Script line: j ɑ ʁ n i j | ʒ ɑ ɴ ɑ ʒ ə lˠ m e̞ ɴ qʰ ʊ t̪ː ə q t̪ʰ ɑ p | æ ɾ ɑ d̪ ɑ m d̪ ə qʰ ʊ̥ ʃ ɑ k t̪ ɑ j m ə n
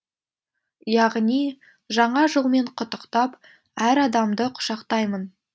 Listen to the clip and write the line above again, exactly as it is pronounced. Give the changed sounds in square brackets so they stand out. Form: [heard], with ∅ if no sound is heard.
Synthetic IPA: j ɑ ʁ n i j | ʒ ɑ ɴ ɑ ʒ ə lˠ m e̞ ɴ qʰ ʊ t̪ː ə q [t̪] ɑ p | æ ɾ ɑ d̪ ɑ m d̪ ə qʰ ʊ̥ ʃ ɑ [q] t̪ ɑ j m ə n